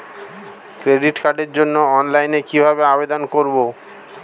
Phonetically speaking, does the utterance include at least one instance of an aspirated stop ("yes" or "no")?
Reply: no